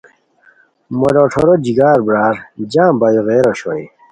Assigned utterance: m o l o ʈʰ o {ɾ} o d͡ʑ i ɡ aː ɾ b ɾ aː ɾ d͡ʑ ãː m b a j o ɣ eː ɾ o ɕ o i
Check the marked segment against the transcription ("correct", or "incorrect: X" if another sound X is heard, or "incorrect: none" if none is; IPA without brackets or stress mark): correct